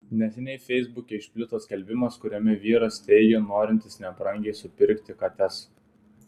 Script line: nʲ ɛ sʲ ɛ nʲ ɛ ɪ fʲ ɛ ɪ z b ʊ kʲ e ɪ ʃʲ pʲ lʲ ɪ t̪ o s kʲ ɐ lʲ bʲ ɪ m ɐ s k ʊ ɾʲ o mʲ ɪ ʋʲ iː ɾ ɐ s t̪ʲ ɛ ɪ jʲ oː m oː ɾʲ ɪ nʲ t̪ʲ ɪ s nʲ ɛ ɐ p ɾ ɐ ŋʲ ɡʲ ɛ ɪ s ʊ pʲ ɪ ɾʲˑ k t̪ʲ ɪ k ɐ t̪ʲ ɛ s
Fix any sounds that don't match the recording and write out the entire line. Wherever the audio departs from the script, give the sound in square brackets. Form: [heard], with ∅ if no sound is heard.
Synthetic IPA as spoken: nʲ ɛ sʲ ɛ nʲ ɛ ɪ fʲ ɛ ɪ z b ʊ kʲ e ɪ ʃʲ pʲ lʲ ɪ t̪ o s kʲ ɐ lʲ bʲ ɪ m ɐ s k ʊ ɾʲ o mʲ ɪ ʋʲ iː ɾ ɐ s t̪ʲ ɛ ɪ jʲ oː [n] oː ɾʲ ɪ nʲ t̪ʲ ɪ s nʲ ɛ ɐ p ɾ ɐ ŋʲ ɡʲ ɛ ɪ s ʊ pʲ ɪ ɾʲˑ k t̪ʲ ɪ k ɐ t̪ʲ ɛ s